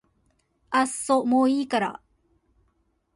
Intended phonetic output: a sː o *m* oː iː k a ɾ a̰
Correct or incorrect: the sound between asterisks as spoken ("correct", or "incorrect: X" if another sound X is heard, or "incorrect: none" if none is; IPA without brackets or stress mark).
correct